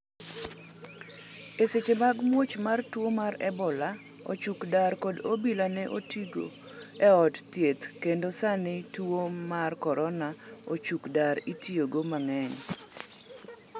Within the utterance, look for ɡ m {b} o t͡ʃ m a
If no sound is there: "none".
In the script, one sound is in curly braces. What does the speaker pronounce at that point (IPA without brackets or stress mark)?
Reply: w